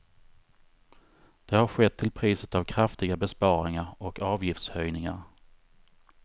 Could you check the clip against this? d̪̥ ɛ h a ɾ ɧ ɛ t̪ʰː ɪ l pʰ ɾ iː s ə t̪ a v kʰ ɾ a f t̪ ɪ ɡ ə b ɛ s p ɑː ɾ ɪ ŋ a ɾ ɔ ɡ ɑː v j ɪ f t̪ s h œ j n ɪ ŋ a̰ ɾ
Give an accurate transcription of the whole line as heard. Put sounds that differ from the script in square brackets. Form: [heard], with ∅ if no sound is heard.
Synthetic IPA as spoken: d̪̥ ɛ h a ɾ ɧ ɛ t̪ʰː ɪ l pʰ ɾ iː s ə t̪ a v kʰ ɾ a f t̪ ɪ ɡ [a] b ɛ s p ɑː ɾ ɪ ŋ a ɾ ɔ [k] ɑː v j ɪ f t̪ s h œ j n ɪ ŋ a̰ ɾ